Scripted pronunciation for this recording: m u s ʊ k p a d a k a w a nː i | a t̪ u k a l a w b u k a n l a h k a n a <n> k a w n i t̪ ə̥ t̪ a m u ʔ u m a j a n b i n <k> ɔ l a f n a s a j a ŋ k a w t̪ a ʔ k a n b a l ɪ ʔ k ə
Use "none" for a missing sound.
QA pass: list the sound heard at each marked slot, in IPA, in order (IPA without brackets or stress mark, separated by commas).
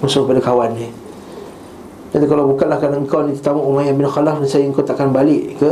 ŋ, x